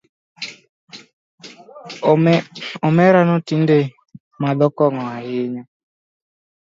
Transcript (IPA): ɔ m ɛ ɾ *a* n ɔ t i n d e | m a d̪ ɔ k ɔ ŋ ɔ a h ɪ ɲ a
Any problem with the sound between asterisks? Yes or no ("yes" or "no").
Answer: no